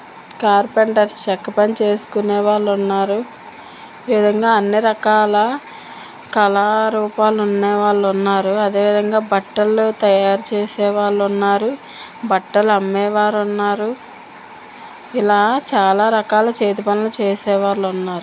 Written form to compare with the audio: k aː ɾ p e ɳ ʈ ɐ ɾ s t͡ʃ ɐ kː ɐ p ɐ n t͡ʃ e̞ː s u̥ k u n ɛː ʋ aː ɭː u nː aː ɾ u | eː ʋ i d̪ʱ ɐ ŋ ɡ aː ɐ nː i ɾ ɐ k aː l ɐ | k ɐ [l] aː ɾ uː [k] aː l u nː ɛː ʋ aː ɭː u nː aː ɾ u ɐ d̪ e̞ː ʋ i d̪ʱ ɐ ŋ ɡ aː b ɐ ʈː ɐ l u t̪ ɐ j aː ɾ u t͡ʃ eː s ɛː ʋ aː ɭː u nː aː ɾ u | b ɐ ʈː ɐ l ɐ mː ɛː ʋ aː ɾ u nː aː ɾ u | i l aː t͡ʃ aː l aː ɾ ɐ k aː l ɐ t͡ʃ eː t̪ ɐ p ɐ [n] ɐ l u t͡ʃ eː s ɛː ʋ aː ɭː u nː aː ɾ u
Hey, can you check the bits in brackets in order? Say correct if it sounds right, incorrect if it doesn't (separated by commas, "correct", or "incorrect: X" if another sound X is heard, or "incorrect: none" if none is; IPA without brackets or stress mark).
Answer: correct, incorrect: p, correct